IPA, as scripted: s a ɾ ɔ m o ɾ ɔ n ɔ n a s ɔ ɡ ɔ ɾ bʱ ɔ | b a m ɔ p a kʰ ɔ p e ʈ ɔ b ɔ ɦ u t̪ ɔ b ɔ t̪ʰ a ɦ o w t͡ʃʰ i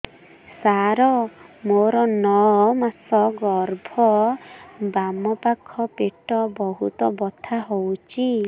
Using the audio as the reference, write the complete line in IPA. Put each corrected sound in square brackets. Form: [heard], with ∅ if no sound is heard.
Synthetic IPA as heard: s a ɾ ɔ m o ɾ ɔ n ɔ [m] a s ɔ ɡ ɔ ɾ bʱ ɔ | b a m ɔ p a kʰ ɔ p e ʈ ɔ b ɔ ɦ u t̪ ɔ b ɔ t̪ʰ a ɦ o w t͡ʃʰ i